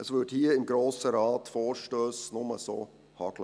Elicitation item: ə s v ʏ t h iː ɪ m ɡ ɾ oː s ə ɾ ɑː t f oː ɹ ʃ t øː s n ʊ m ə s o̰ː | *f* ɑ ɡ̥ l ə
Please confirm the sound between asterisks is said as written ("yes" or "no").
no